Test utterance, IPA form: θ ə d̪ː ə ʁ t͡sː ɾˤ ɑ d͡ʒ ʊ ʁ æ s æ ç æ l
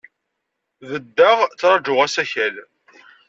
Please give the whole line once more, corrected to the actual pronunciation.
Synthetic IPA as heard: ð ə d̪ː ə ʁ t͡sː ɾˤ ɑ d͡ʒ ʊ ʁ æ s æ ç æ l